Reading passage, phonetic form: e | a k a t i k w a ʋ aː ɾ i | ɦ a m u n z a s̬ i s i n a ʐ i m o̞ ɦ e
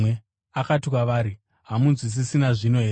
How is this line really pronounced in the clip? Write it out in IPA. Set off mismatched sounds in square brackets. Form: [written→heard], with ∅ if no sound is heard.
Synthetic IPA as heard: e | a k a t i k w a ʋ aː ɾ i | ɦ a m u n z [a→i] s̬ i s i n a ʐ i [m→n] o̞ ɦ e